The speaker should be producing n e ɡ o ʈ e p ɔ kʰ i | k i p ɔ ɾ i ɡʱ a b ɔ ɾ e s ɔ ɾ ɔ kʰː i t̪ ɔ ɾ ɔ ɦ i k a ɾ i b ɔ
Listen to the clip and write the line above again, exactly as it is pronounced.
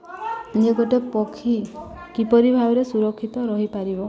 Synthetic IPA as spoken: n e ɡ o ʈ e p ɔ kʰ i | k i p ɔ ɾ i bʱ a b ɔ ɾ e s u ɾ ɔ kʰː i t̪ ɔ ɾ ɔ ɦ i p a ɾ i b ɔ

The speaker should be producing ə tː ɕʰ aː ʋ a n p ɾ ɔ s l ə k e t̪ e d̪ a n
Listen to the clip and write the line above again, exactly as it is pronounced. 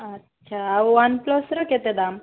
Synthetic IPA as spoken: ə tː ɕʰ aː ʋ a n p l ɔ s ɾ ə k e t̪ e d̪ a m

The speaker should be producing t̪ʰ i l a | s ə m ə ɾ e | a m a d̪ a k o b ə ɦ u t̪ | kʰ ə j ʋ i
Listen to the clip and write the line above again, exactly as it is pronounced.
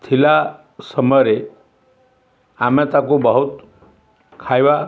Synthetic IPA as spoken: t̪ʰ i l a | s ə m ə ɾ e | a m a t̪ a k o b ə ɦ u t̪ | kʰ a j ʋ a

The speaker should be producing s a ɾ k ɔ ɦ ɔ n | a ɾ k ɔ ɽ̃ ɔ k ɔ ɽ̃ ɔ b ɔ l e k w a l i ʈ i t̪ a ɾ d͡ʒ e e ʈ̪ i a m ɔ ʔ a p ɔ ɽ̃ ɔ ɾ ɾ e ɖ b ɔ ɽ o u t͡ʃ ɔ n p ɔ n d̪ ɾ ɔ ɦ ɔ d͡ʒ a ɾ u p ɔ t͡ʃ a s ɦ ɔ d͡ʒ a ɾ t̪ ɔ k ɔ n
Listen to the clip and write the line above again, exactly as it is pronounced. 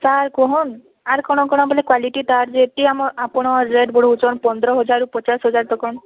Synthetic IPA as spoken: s a ɾ k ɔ ɦ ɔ n | a ɾ k ɔ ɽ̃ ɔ k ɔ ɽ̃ ɔ b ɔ l e k w a l i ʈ i t̪ a ɾ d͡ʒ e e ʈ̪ i a m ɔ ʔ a p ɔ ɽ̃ ɔ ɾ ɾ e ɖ b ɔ ɽ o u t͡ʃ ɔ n p ɔ n d̪ ɾ ɔ ɦ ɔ d͡ʒ a ɾ u p ɔ t͡ʃ a s ɦ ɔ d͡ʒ a ɾ t̪ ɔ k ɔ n

